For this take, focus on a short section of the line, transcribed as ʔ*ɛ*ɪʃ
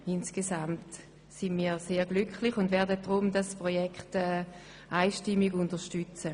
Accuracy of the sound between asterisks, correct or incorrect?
incorrect